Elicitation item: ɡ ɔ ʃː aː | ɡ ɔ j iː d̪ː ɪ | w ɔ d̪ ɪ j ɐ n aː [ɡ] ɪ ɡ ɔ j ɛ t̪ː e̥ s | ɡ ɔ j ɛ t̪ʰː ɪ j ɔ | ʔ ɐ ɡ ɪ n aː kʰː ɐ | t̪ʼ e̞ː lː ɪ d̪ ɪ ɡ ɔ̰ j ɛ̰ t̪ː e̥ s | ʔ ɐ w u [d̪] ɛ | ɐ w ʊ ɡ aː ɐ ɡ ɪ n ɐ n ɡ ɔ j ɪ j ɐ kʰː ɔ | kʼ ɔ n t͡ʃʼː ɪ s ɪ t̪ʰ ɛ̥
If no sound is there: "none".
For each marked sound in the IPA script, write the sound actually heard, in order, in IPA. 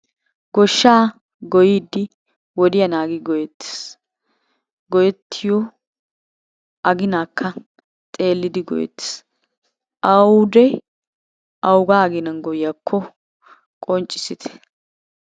ɡ, d̪

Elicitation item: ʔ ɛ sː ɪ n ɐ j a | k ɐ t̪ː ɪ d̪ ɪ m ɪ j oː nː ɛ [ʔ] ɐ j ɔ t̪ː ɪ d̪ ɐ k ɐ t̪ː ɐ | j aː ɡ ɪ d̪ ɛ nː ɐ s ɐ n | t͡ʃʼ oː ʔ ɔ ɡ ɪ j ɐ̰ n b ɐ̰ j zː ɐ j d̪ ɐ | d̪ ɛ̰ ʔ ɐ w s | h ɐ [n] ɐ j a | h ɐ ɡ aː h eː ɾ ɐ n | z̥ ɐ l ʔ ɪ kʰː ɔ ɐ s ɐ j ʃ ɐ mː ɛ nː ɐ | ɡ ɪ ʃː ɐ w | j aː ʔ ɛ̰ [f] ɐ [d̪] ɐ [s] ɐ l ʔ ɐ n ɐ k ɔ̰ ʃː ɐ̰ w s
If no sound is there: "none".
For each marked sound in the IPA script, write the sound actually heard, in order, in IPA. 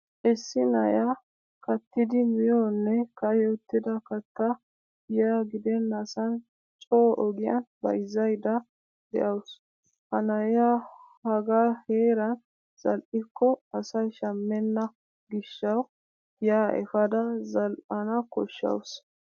k, n, f, d̪, z

